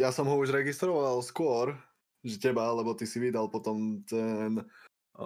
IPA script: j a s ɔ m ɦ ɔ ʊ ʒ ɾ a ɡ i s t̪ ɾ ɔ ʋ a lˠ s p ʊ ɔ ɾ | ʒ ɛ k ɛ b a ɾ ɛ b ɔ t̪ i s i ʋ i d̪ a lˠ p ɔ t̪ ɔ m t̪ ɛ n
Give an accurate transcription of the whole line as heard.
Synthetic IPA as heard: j a s ɔ m ɦ ɔ u ʒ ɾ ɛ ɡ i s t̪ ɾ ɔ ʋ a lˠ s k ʊ ɔ ɾ | ʒ ɛ c ɛ b a l ɛ b ɔ t̪ i s i ʋ i d̪ a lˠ p ɔ t̪ ɔ m t̪ ɛ n